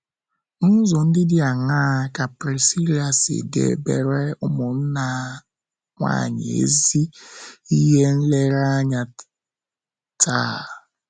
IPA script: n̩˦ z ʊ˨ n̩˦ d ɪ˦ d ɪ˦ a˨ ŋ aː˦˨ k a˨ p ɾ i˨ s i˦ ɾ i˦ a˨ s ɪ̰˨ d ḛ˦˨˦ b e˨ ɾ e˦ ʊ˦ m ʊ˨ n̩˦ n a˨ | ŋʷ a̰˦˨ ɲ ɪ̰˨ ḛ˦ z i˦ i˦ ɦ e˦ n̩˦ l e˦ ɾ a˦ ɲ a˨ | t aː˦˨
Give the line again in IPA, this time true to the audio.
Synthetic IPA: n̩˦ z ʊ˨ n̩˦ d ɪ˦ d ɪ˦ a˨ ŋ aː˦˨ k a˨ p ɾ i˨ s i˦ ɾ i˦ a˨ s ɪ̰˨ d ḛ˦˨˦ b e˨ ɾ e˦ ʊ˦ m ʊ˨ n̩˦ n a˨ | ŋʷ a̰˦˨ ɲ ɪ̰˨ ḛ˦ z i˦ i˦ ɦ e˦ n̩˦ l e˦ ɾ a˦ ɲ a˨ | t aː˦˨